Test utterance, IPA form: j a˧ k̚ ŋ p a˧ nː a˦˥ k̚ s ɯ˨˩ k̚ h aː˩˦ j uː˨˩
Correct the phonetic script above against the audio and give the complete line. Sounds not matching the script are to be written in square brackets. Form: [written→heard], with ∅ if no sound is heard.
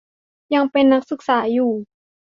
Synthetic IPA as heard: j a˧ [k̚→∅] ŋ p [a˧→e˧] nː a˦˥ k̚ s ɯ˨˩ k̚ [h→s] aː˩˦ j uː˨˩